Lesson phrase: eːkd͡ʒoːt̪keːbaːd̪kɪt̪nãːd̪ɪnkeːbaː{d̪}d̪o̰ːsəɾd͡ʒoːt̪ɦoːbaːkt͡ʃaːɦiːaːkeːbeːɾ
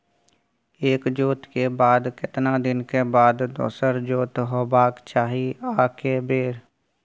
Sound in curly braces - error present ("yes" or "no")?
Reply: no